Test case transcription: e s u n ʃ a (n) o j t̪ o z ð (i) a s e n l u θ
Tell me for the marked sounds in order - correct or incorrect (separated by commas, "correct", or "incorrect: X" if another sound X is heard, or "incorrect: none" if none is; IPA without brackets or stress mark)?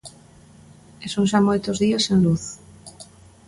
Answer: incorrect: m, correct